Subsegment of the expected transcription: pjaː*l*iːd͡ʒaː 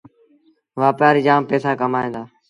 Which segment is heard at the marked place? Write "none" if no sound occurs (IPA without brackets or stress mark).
ɾ